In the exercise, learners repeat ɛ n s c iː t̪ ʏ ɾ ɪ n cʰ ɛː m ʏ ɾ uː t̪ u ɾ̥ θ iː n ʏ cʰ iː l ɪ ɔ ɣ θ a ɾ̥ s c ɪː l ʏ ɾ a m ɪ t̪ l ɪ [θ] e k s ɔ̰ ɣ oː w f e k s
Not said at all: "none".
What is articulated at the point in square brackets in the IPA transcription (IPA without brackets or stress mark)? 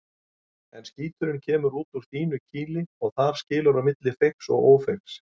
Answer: f